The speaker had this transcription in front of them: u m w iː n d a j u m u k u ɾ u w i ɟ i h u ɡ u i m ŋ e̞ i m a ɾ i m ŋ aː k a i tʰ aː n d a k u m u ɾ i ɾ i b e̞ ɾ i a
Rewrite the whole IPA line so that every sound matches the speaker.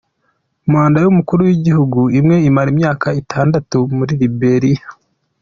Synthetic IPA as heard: u m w aː n d a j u m u k u ɾ u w i ɟ i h u ɡ u i m ŋ e̞ i m a ɾ i m ɲ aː k a i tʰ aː n d a t u m u ɾ i ɾ i b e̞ ɾ i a

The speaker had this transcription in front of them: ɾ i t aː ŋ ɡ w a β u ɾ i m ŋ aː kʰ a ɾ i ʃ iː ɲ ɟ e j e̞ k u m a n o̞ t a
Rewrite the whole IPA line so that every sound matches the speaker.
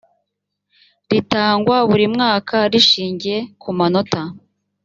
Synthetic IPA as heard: ɾ i t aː ŋ ɡ w a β u ɾ i m ŋ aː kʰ a ɾ i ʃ iː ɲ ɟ i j e̞ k u m a n o̞ t a

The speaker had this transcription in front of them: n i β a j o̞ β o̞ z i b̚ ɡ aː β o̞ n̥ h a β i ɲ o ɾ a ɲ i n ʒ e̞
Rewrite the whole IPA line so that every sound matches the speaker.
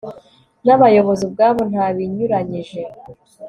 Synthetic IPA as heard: n a β a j o̞ β o̞ z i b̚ ɡ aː β o̞ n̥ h a β i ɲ u ɾ a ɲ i ʒ e̞

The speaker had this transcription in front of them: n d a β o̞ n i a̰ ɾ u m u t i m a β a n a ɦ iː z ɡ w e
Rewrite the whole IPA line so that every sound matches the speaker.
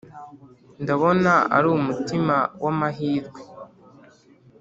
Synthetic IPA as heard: n d a β o̞ n a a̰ ɾ u m u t i m a w a m a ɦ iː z ɡ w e

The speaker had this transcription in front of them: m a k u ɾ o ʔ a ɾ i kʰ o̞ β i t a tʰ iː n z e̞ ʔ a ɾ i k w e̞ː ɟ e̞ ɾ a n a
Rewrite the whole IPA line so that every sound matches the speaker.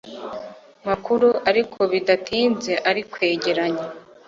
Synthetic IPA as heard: m a k u ɾ u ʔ a ɾ i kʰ o̞ β i d a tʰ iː n z e̞ ʔ a ɾ i k w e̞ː ɟ e̞ ɾ a ɲ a

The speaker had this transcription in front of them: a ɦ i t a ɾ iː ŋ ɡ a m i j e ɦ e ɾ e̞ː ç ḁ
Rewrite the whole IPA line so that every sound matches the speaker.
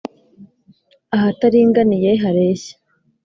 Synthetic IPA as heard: a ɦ a t a ɾ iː ŋ ɡ a n i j e ɦ a ɾ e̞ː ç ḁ

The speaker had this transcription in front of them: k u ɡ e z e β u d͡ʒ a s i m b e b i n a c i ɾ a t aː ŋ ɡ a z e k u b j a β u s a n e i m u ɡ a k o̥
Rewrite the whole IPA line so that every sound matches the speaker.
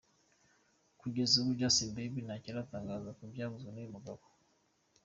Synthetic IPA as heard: k u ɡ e z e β u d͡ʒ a s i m b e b i n a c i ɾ a t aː ŋ ɡ a z a k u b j a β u z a n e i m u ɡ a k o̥

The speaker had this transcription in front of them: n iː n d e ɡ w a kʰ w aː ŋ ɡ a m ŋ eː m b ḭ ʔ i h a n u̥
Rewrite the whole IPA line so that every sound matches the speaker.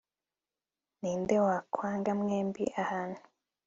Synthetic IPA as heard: n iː n d e w a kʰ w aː ŋ ɡ a m ŋ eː m b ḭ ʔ a h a n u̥

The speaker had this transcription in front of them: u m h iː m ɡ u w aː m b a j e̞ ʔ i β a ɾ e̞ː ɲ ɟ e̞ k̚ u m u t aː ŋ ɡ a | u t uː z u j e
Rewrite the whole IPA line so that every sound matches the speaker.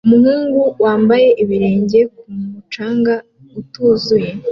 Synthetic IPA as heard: u m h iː ŋ ɡ u w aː m b a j e̞ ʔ i β i ɾ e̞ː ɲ ɟ e̞ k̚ u m u t͡ʃ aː ŋ ɡ a | u t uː z u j e

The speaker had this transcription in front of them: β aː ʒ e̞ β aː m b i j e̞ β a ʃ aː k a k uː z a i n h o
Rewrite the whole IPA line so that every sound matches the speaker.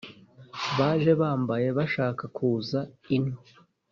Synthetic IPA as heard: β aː ʒ e̞ β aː m b a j e̞ β a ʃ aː k a k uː z a i n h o

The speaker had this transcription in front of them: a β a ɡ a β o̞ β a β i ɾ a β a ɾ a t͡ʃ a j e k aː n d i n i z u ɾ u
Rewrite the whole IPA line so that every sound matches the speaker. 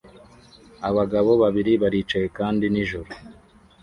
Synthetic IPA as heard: a β a ɡ a β o̞ β a β i ɾ i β a ɾ i t͡ʃ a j e k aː n d i n i ʒ u ɾ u

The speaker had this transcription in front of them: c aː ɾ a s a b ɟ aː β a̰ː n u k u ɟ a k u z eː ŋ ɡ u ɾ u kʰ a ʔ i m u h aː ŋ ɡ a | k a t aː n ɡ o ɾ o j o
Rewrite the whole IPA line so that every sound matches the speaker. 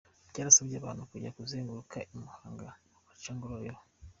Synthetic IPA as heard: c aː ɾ a s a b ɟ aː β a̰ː n u k u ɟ a k u z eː ŋ ɡ u ɾ u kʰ a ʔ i m u h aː ŋ ɡ a | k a t͡ʃ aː ŋ ɡ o ɾ o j o

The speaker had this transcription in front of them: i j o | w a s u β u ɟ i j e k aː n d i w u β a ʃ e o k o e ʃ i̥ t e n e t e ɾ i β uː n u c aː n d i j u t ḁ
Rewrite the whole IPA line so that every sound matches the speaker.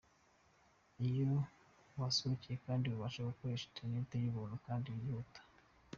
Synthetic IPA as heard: i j o | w a s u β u c i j e k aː n d i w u β a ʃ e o k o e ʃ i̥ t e n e t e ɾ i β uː n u k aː n d i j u t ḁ

